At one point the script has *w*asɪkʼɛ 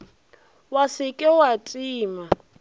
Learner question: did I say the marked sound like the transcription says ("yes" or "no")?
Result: yes